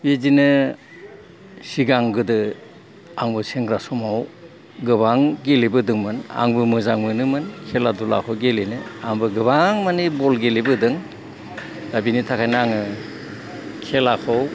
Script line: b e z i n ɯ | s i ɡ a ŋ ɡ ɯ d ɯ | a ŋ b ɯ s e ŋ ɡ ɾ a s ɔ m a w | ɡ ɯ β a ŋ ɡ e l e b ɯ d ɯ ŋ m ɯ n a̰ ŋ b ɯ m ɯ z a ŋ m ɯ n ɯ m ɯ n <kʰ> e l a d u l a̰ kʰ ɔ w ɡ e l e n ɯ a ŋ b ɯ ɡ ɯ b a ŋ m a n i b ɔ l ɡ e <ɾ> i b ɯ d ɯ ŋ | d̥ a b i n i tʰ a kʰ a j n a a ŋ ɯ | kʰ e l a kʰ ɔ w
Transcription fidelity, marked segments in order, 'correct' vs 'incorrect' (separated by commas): correct, incorrect